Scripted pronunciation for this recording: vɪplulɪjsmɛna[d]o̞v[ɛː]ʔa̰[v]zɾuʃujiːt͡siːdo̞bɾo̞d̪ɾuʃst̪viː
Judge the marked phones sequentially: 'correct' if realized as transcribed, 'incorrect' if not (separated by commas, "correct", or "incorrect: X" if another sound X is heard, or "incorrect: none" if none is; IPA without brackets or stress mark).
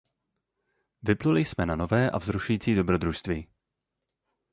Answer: incorrect: n, correct, correct